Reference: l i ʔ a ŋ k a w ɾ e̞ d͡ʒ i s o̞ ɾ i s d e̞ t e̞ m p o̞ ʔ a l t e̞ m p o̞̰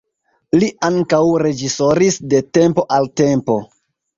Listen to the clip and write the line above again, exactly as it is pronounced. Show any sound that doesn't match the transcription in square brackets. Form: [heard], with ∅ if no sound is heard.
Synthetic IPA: l i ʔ a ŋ k a w ɾ e̞ d͡ʒ i s o̞ ɾ i s d e̞ t e̞ m p o̞ ʔ a l t e̞ m p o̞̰

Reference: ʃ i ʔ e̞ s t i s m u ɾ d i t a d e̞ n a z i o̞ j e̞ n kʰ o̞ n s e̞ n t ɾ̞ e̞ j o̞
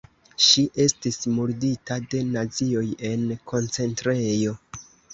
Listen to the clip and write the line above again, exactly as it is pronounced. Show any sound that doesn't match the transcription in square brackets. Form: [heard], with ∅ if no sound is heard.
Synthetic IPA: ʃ i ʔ e̞ s t i s m u ɾ d i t a d e̞ n a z i o̞ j e̞ n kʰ o̞ n [t͡s] e̞ n t ɾ̞ e̞ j o̞

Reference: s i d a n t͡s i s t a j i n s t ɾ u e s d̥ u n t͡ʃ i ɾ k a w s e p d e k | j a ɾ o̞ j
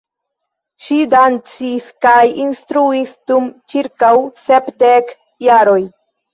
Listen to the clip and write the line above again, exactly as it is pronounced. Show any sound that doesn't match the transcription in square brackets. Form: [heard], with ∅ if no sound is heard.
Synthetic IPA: [ʃ] i d a n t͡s i s [k] a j i n s t ɾ u [i] s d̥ u [m] t͡ʃ i ɾ k a w s e p d e k | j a ɾ o̞ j

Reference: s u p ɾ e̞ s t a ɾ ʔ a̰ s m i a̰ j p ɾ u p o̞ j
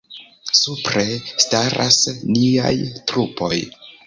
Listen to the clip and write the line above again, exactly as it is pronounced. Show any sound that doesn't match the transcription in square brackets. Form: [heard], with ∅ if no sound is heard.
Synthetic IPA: s u p ɾ e̞ s t a ɾ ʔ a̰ s [n] i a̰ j [t] ɾ u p o̞ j

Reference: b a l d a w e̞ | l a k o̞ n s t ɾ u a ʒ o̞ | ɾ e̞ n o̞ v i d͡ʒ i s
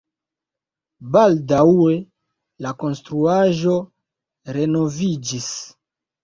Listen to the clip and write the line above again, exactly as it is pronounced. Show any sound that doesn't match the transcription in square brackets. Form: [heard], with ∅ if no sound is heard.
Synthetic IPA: b a l d a w e̞ | l a k o̞ n s t ɾ u a ʒ o̞ | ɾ e̞ n o̞ v i d͡ʒ i s

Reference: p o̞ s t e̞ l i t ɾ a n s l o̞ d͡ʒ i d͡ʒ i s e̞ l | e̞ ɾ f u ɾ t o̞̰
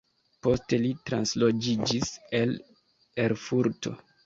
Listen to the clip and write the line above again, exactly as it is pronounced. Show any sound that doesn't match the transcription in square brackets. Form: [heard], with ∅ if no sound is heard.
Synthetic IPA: p o̞ s t e̞ l i t ɾ a n s l o̞ d͡ʒ i d͡ʒ i s e̞ l | e̞ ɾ f u ɾ t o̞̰

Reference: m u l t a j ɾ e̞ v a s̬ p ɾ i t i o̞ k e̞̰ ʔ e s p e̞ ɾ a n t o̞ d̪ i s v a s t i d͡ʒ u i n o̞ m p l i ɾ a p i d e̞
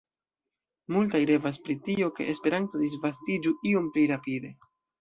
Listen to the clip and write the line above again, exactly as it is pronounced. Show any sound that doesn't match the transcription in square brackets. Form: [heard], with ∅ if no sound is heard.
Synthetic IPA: m u l t a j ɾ e̞ v a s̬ p ɾ i t i o̞ k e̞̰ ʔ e s p e̞ ɾ a n t o̞ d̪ i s v a s t i d͡ʒ u i [∅] o̞ m p l i ɾ a p i d e̞

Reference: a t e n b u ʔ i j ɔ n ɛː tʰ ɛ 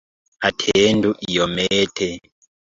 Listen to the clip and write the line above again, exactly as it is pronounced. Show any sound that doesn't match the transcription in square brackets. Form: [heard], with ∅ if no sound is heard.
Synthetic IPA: a [tʰ] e n [d] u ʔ i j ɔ [m] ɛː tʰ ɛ

